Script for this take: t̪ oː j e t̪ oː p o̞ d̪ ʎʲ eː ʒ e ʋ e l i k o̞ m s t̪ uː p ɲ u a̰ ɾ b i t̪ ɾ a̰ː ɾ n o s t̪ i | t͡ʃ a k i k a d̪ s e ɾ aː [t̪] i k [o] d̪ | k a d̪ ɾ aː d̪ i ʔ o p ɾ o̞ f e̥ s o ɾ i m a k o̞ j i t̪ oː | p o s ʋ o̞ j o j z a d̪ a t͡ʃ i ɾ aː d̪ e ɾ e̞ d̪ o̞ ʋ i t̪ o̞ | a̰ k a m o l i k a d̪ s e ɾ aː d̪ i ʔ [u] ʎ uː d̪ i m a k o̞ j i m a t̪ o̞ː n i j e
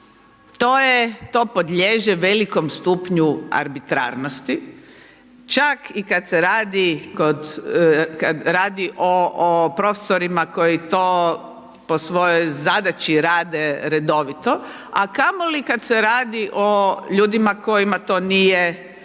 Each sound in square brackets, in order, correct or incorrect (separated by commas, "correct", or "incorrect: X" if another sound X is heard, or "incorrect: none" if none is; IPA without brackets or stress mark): incorrect: d̪, correct, incorrect: o